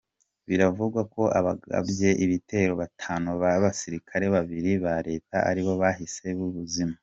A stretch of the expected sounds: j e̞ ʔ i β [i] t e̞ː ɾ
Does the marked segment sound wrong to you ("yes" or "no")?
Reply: no